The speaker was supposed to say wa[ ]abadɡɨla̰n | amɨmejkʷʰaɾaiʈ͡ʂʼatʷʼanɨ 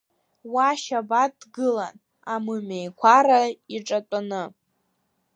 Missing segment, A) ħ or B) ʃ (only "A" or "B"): B